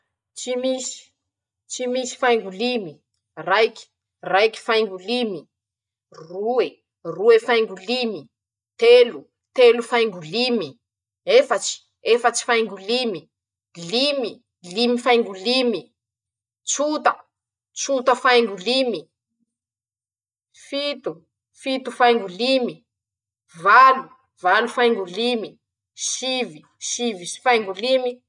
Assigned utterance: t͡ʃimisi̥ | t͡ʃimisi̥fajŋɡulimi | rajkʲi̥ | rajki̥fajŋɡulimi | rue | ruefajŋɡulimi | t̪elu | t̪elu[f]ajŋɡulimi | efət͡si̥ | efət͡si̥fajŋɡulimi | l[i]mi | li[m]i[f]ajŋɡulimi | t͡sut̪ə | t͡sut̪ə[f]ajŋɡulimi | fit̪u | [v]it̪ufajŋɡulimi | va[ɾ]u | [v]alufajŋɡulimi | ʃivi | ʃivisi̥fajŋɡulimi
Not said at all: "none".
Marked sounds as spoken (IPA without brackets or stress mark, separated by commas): f, i, m, f, f, f, l, v